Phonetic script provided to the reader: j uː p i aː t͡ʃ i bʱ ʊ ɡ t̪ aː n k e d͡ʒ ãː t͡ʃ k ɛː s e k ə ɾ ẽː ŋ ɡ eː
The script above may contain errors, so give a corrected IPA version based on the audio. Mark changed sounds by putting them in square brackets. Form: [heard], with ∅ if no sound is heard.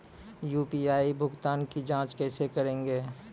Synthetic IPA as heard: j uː p i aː [∅] i bʱ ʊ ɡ t̪ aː n k [i] d͡ʒ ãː t͡ʃ k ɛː s e k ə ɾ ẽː ŋ ɡ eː